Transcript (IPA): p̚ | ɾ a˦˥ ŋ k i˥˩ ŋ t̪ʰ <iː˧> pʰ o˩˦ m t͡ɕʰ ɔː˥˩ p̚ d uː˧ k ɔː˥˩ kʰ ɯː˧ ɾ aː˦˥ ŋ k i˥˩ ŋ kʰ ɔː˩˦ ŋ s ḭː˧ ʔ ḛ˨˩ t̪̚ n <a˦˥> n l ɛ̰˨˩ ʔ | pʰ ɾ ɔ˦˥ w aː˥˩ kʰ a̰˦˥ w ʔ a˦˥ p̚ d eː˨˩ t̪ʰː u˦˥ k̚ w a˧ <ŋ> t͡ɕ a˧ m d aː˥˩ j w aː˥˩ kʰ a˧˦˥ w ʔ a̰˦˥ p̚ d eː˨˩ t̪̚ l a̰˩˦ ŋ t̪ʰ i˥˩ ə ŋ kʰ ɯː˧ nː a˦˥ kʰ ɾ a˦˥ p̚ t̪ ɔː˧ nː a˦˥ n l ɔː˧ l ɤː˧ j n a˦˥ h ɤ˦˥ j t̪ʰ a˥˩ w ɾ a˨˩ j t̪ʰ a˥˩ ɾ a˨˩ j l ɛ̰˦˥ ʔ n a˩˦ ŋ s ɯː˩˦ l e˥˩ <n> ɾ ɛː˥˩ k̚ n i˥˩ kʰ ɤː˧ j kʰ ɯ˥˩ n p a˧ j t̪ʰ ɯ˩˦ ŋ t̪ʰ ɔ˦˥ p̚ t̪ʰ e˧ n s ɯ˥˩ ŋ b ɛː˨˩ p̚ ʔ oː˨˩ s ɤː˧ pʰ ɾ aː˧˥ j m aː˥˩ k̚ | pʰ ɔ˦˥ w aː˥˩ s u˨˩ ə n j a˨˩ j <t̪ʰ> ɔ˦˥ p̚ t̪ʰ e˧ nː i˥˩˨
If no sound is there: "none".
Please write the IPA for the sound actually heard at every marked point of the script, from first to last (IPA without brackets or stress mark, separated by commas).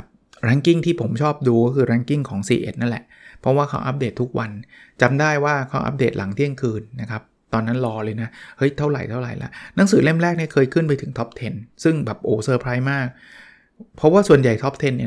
iː˥˩, a˦˥, n, m, t̪ʰ